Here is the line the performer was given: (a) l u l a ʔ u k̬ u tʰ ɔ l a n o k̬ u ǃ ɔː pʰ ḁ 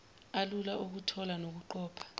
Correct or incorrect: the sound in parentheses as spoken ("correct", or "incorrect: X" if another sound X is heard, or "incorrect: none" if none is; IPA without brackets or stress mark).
correct